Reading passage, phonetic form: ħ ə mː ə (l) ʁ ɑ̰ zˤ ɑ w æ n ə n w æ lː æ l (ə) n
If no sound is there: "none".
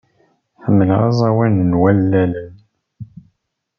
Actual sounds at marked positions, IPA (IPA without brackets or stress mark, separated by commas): l, ə